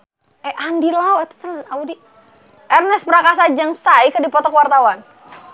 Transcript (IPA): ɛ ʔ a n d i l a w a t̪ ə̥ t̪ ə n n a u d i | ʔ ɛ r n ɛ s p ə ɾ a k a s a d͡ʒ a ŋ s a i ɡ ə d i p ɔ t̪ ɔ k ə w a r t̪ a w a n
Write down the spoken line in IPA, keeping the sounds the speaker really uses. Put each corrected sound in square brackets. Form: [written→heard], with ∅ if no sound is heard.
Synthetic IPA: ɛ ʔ a n d i l a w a t̪ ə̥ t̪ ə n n a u d i | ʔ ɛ r n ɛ s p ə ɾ a k a s a d͡ʒ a ŋ s a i [ɡ→k] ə d i p ɔ t̪ ɔ k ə w a r t̪ a w a n

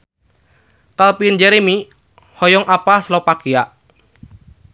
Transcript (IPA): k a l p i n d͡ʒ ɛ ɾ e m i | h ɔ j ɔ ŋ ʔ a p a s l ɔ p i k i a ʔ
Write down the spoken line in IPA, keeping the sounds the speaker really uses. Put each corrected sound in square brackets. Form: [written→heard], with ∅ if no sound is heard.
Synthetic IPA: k a l p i n d͡ʒ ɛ ɾ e m i | h ɔ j ɔ ŋ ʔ a p a s l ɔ p [i→a] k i a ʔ

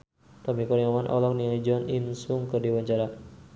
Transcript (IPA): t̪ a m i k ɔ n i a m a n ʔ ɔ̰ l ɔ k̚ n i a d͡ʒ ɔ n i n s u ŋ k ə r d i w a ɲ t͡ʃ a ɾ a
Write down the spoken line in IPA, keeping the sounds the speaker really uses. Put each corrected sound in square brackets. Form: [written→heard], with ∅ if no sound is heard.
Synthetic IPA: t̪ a m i k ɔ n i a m a n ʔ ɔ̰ l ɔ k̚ n i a d͡ʒ ɔ n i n s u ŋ k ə r d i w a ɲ t͡ʃ a ɾ a

